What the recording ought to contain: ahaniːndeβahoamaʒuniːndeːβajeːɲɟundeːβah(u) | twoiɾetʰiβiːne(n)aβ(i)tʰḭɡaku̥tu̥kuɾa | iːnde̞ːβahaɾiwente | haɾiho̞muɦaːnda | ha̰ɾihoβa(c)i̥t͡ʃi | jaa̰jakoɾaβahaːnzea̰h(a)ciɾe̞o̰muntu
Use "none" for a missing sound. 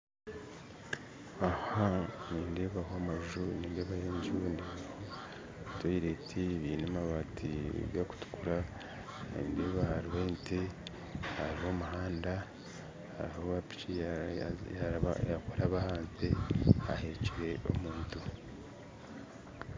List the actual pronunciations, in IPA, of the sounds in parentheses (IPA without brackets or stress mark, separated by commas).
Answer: o, m, a, p, e